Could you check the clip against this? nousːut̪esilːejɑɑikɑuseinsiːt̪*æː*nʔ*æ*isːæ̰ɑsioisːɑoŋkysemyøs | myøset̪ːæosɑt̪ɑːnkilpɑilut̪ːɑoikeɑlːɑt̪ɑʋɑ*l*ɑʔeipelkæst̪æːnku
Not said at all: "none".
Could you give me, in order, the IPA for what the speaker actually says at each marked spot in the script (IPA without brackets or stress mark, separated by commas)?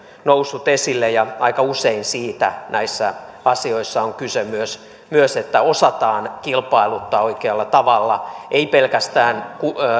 æ, æ, lː